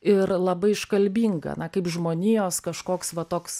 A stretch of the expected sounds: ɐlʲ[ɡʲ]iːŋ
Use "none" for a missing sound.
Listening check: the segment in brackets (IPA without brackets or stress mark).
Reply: bʲ